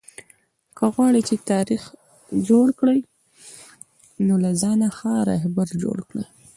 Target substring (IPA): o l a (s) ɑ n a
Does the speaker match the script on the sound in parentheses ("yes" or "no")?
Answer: no